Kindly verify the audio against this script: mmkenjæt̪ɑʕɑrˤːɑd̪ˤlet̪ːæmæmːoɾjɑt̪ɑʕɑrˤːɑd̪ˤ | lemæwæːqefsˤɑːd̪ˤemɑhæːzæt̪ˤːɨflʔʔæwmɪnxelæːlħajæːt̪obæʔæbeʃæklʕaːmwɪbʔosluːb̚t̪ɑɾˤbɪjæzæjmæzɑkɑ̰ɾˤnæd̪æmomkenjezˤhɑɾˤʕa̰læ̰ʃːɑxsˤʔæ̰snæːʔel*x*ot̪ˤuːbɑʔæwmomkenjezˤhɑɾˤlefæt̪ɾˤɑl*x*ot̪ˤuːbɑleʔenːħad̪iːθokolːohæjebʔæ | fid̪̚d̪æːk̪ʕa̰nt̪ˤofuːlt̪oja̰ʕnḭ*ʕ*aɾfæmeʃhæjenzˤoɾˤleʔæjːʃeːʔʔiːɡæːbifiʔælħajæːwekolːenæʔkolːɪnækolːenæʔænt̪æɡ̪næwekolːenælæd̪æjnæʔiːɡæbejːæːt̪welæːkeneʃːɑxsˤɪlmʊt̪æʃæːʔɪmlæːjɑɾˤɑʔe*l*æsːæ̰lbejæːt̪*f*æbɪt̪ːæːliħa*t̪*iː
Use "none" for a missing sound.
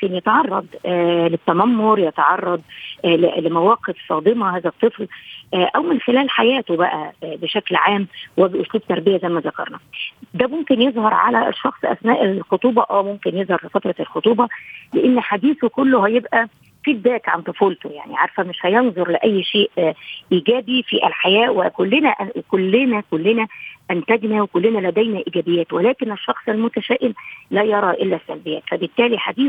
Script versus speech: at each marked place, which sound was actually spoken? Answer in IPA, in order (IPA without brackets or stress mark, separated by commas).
x, x, ʕ, lː, f, d̪